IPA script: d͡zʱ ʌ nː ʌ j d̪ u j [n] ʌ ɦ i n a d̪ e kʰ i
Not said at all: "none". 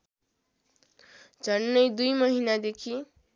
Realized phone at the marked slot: m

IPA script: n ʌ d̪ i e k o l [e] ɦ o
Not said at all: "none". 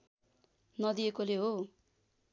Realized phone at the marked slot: e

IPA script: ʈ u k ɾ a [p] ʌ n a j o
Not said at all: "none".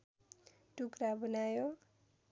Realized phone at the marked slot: b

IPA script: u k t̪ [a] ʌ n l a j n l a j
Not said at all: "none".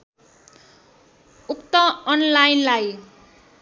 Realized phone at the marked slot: ʌ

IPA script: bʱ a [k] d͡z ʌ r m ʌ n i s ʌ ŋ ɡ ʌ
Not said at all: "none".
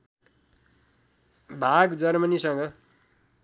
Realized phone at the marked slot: ɡ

